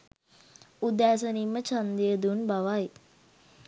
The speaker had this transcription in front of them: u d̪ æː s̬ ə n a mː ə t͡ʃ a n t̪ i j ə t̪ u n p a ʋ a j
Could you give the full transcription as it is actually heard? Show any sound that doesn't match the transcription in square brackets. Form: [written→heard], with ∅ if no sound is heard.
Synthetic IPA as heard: u d̪ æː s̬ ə n [a→i] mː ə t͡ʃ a n [t̪→d̪] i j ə [t̪→d̪] u n [p→b] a ʋ a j